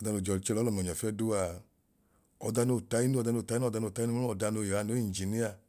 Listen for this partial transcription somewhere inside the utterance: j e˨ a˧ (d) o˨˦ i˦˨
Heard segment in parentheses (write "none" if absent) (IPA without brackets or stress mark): n